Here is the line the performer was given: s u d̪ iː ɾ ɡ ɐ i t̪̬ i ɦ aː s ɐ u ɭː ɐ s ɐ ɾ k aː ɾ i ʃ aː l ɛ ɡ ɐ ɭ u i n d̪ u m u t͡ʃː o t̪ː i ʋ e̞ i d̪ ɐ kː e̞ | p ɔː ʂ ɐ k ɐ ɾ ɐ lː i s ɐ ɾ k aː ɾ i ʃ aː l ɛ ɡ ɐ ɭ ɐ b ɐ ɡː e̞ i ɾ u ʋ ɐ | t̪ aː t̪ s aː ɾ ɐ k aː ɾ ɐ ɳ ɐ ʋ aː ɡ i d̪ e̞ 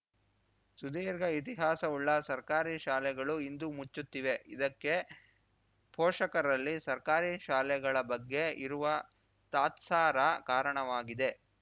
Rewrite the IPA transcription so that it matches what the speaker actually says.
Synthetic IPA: s u d̪ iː ɾ ɡ ɐ i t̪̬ i ɦ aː s ɐ u ɭː ɐ s ɐ ɾ k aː ɾ i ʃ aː l ɛ ɡ ɐ ɭ u i n d̪ u m u t͡ʃː u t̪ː i ʋ e̞ i d̪ ɐ kː e̞ | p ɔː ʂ ɐ k ɐ ɾ ɐ lː i s ɐ ɾ k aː ɾ i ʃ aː l ɛ ɡ ɐ ɭ ɐ b ɐ ɡː e̞ i ɾ u ʋ ɐ | t̪ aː t̪ s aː ɾ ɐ k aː ɾ ɐ ɳ ɐ ʋ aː ɡ i d̪ e̞